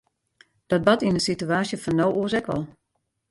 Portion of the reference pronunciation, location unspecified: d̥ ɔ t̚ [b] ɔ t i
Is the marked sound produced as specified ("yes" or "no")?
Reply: yes